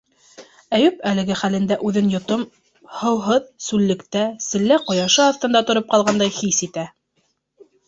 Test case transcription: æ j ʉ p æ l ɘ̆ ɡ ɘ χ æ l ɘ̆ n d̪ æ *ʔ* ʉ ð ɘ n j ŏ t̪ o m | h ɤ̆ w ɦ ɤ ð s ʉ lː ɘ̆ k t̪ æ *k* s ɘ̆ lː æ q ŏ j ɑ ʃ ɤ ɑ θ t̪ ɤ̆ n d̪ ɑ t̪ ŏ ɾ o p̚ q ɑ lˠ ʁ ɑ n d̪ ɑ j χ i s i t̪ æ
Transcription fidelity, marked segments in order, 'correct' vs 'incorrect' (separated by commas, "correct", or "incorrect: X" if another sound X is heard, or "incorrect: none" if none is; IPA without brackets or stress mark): correct, incorrect: none